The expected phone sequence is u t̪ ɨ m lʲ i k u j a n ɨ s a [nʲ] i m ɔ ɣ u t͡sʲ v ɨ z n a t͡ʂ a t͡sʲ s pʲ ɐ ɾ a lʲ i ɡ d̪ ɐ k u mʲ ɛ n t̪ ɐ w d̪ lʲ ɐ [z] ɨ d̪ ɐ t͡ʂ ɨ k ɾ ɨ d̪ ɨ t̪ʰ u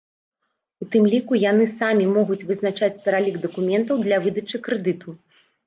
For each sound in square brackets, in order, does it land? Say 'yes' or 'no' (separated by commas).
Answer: no, no